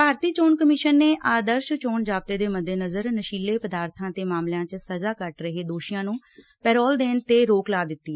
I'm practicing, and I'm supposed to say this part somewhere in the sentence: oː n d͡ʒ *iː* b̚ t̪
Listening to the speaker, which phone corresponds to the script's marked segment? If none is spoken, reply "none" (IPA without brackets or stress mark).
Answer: aː